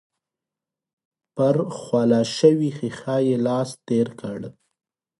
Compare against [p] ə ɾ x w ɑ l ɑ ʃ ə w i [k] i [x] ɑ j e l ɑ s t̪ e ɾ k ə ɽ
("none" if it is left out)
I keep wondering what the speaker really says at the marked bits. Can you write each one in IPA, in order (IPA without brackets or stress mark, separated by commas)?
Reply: p, x, x